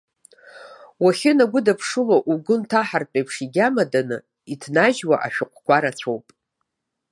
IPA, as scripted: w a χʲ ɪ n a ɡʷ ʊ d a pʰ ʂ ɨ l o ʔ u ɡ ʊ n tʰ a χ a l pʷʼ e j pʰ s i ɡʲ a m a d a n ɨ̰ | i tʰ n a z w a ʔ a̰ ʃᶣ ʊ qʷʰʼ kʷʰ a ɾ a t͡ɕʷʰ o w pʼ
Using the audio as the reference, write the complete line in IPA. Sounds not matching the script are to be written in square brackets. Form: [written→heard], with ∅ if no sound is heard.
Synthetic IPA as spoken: w a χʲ ɪ n a ɡʷ ʊ d a pʰ ʂ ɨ l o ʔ u ɡ ʊ n tʰ a [χ→ħ] a [l→r] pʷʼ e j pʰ [s→ʂ] i ɡʲ a m a d a n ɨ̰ | i tʰ n a [z→ʒ] w a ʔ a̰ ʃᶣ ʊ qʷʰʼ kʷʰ a ɾ a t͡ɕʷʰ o w pʼ